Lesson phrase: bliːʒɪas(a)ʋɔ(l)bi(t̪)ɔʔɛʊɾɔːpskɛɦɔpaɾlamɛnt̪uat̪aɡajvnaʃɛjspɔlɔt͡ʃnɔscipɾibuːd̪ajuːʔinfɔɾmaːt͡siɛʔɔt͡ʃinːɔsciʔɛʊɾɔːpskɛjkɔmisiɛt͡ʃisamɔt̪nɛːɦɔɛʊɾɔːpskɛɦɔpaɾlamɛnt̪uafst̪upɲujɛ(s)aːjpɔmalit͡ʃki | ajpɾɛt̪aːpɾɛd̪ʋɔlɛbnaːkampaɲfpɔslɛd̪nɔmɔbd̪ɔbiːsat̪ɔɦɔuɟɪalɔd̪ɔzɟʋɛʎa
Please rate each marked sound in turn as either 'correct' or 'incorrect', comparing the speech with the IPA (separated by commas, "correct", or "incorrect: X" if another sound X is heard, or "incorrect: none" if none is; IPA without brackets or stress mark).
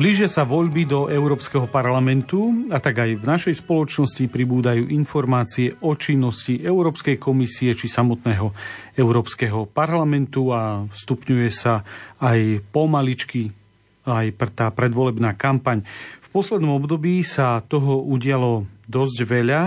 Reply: correct, incorrect: ʎ, incorrect: d̪, correct